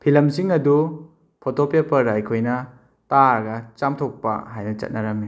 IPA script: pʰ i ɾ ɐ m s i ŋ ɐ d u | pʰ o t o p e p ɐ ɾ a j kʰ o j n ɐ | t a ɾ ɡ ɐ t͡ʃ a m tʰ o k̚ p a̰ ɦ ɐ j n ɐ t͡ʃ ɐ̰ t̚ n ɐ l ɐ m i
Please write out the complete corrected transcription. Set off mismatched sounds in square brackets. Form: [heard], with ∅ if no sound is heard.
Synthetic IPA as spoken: pʰ i [l] ɐ m s i ŋ ɐ d u | pʰ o t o p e p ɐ ɾ a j kʰ o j n ɐ | t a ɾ ɡ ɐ t͡ʃ a m tʰ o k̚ p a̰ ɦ [a] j n ɐ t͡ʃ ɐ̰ t̚ n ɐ [ɾ] ɐ m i

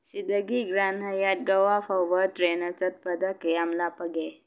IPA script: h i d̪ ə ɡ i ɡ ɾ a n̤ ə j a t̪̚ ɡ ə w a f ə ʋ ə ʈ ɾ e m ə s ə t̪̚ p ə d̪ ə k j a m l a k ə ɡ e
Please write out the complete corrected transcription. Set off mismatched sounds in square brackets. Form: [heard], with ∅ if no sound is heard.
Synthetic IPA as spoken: [s] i d̪ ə ɡ i ɡ ɾ a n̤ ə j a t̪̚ ɡ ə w a f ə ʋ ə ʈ ɾ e [n] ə [t͡s] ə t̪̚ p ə d̪ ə k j a m l a [p] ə ɡ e

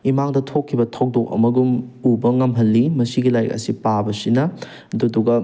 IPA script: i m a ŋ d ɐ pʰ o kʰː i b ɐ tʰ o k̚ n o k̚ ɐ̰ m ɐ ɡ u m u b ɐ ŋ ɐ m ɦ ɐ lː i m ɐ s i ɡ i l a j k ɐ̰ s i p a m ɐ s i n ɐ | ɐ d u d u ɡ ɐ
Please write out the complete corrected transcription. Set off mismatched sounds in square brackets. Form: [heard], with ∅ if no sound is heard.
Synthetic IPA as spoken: i m a ŋ d ɐ [tʰ] o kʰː i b ɐ tʰ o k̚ [d] o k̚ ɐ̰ m ɐ ɡ u m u b ɐ ŋ ɐ m ɦ ɐ lː i m ɐ s i ɡ i l a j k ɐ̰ s i p a [b] ɐ s i n ɐ | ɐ d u d u ɡ ɐ

